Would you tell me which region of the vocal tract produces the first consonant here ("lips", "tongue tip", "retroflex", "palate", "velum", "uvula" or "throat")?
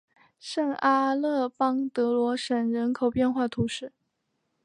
retroflex